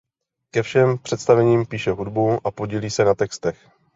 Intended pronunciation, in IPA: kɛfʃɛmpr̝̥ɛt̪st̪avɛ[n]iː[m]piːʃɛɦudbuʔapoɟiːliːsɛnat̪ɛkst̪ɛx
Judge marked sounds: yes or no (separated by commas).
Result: no, yes